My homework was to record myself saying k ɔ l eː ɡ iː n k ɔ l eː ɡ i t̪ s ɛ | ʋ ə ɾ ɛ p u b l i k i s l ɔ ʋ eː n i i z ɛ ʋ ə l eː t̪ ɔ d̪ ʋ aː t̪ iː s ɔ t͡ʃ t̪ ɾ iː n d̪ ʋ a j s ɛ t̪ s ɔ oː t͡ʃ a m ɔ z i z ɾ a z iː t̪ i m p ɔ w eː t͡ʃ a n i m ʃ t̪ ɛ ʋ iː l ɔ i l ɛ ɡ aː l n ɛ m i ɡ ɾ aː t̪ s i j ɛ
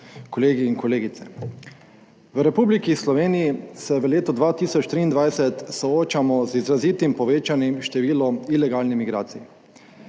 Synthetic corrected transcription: k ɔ l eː ɡ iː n k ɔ l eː ɡ i t̪ s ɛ | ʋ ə ɾ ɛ p u b l i k i s l ɔ ʋ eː n i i s ɛ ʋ ə l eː t̪ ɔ d̪ ʋ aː t̪ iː s ɔ t͡ʃ t̪ ɾ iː n d̪ ʋ a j s ɛ t̪ s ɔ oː t͡ʃ a m ɔ z i z ɾ a z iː t̪ i m p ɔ ʋ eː t͡ʃ a n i m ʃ t̪ ɛ ʋ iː l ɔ i l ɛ ɡ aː l n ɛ m i ɡ ɾ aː t̪ s i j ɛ